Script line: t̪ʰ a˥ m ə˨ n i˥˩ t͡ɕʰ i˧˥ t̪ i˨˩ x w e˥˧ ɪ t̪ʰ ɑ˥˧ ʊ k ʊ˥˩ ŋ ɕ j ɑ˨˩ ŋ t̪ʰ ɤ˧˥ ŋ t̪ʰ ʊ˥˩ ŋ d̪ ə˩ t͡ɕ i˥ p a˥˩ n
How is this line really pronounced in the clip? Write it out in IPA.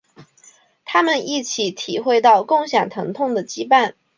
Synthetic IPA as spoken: t̪ʰ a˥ m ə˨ n i˥˩ t͡ɕʰ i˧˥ t̪ʰ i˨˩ x w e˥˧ ɪ t̪ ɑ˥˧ ʊ k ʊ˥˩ ŋ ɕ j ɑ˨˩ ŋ t̪ʰ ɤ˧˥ ŋ t̪ʰ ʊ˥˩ ŋ d̪ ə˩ t͡ɕ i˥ p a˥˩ n